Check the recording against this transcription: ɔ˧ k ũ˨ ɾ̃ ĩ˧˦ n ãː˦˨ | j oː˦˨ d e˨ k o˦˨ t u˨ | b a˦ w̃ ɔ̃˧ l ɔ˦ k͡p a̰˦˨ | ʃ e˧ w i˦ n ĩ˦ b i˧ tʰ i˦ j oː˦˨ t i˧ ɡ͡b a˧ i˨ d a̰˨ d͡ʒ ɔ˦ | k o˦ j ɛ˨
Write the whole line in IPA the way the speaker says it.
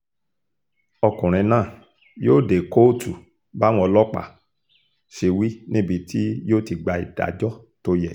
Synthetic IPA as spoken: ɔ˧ k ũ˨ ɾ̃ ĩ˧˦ n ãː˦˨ | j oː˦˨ d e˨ k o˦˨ t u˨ | b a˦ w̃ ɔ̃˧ l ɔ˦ k͡p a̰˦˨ | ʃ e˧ w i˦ n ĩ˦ b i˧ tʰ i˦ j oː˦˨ t i˧ ɡ͡b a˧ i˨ d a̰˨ d͡ʒ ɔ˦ | t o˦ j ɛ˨